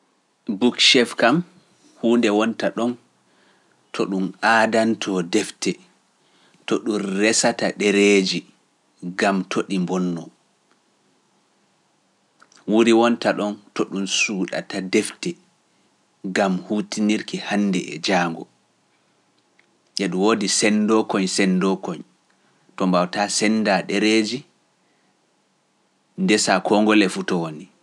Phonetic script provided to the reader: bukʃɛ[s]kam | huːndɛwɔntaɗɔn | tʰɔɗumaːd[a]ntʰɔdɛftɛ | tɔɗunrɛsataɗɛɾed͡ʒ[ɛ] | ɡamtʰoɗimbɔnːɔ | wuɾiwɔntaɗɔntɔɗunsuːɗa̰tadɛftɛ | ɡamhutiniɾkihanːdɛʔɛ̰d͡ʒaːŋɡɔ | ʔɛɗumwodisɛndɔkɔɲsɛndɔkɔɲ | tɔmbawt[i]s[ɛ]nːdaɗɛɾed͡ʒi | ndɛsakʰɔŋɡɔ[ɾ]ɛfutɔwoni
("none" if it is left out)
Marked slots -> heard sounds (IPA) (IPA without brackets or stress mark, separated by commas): f, a, i, a, ɛ, l